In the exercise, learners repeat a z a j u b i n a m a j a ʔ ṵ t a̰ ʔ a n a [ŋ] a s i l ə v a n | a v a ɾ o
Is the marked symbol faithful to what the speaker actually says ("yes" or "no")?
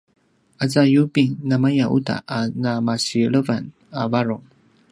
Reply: no